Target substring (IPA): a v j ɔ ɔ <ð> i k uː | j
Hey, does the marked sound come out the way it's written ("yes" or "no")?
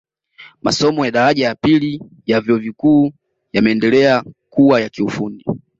no